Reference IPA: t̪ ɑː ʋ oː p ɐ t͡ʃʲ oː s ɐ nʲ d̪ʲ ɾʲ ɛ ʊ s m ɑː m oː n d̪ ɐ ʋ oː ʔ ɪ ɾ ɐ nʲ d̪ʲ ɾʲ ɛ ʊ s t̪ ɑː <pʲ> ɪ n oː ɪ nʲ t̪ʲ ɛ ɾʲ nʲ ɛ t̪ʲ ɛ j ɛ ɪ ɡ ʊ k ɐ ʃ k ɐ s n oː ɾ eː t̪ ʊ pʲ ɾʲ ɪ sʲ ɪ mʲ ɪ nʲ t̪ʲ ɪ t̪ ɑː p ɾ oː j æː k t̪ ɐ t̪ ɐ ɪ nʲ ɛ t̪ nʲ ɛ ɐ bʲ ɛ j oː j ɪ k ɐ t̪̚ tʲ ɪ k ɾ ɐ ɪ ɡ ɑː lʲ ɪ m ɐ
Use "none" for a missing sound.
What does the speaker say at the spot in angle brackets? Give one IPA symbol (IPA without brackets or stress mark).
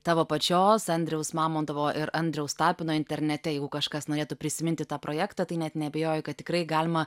pʲ